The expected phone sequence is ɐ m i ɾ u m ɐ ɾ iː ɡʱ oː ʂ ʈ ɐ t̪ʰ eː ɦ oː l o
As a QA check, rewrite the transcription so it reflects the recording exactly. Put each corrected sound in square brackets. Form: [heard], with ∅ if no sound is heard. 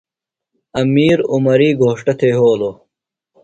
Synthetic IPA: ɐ m [iː] ɾ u m ɐ ɾ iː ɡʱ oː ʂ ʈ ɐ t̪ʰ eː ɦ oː l o